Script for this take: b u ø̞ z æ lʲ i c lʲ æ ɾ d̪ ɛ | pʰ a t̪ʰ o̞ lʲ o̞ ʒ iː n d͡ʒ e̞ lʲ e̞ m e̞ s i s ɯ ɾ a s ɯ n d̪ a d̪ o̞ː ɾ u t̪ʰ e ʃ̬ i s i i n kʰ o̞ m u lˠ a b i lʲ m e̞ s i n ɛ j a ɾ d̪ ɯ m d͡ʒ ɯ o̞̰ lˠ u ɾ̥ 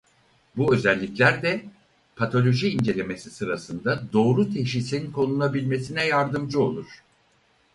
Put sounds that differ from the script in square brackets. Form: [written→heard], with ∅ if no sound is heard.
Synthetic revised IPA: b u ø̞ z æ [lʲ→lʲː] i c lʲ æ ɾ d̪ ɛ | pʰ a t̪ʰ o̞ lʲ o̞ ʒ iː n d͡ʒ e̞ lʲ e̞ m e̞ s i s ɯ ɾ a s ɯ n d̪ a d̪ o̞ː ɾ u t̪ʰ e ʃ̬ i s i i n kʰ o̞ [m→n] u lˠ a b i lʲ m e̞ s i n ɛ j a ɾ d̪ ɯ m d͡ʒ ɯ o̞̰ lˠ u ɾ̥